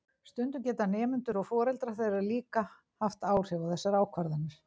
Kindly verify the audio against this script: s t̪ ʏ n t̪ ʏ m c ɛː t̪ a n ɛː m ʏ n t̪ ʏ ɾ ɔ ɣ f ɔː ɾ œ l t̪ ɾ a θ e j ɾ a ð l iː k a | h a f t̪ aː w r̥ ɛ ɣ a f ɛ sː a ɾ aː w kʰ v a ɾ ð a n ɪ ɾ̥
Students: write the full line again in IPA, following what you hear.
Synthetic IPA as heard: s t̪ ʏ n t̪ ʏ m c ɛː t̪ a n ɛː m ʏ n t̪ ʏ ɾ ɔ ɣ f ɔː ɾ ɛ l t̪ ɾ a θ e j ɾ a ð l iː k a | h a f t̪ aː w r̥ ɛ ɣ a θ ɛ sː a ɾ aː w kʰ v a ɾ ð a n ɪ ɾ̥

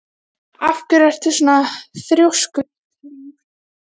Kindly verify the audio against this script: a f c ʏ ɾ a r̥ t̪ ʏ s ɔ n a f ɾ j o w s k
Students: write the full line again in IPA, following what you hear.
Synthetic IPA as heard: a f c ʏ ɾ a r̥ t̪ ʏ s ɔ n a θ ɾ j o w s k

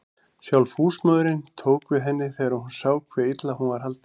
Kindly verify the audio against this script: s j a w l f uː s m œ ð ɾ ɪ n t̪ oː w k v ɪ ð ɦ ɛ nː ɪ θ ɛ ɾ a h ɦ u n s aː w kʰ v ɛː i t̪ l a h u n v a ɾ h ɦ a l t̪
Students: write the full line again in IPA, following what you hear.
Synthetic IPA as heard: s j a w l f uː s m œ ð ɾ ɪ n t̪ʰ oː w k v ɪ ð ɦ ɛ nː ɪ θ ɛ ɾ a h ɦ u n s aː w kʰ v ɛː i t̪ l a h u n v a ɾ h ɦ a l t̪

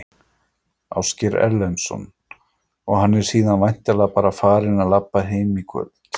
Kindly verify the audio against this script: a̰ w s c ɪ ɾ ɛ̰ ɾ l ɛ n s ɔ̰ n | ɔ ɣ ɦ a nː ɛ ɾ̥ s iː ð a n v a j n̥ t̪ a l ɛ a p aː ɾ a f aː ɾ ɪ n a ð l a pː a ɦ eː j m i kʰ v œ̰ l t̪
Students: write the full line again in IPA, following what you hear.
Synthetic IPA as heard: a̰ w s c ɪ ɾ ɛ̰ ɾ l ɛ n s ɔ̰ n | ɔ ɣ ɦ a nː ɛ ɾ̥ s iː ð a n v a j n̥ t̪ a l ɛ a p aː ɾ a f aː ɾ ɪ n a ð l a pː a ɦ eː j m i kʰ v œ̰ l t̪

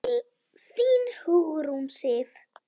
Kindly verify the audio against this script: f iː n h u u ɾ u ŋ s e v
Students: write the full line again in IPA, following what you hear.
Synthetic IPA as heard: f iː n h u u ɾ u m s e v

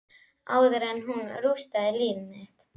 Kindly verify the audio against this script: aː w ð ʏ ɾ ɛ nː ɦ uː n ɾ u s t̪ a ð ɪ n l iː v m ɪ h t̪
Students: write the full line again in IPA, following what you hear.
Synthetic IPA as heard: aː w ð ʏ ɾ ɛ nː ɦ u n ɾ u s t̪ a ð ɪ l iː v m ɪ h t̪

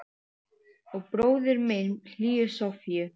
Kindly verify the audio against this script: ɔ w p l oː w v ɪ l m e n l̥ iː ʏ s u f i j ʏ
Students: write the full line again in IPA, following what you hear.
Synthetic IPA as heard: ɔ ɣ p ɾ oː w ð ɪ ɾ m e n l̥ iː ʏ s ɔ f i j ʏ

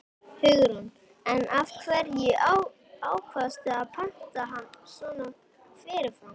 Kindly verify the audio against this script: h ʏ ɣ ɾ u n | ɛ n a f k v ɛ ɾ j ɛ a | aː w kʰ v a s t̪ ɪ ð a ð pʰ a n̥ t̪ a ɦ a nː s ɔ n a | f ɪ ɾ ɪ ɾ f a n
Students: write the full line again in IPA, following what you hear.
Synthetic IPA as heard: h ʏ ɣ ɾ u n | ɛ n a f kʰ v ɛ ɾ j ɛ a | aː w kʰ v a s t̪ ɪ a ð pʰ a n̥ t̪ a ɦ a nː s ɔ n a | f ɪ ɾ ɪ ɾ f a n

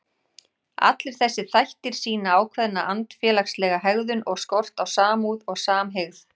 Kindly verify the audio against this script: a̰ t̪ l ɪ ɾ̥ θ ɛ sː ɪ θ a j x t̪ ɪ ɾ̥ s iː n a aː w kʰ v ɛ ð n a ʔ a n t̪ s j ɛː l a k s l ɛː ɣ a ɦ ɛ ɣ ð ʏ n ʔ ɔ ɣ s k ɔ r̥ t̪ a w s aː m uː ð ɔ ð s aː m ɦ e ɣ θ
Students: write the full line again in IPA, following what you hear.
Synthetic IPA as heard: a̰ t̪ l ɪ ɾ̥ θ ɛ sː ɪ θ a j h t̪ ɪ ɾ̥ s iː n a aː w kʰ v ɛ ð n a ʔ a n t̪ f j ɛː l a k s l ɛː ɣ a ɦ ɛ ɣ ð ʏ n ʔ ɔ ɣ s k ɔ r̥ t̪ a w s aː m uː ð ɔ ɣ s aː m ɦ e ɣ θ

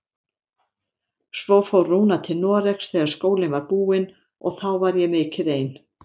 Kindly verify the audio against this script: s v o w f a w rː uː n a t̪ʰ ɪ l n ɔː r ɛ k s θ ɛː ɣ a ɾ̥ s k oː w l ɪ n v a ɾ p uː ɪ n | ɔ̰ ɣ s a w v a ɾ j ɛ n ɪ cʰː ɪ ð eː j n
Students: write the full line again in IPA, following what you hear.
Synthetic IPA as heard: s v o w f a w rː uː n a t̪ʰ ɪ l n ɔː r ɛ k s θ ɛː ɣ a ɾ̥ s k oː w l ɪ n v a ɾ p uː ɪ n | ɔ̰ ɣ θ a w v a ɾ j ɛ m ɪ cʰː ɪ ð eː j n

